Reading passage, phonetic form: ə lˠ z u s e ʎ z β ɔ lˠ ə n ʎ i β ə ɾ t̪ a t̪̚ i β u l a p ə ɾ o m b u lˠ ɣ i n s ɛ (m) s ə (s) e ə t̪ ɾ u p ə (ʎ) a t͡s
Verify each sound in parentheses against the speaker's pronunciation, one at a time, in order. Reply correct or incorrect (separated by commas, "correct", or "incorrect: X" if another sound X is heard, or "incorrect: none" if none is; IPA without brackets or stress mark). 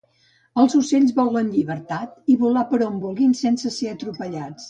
incorrect: n, correct, correct